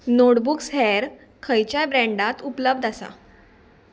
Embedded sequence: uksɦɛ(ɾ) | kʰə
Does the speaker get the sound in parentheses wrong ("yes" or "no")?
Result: no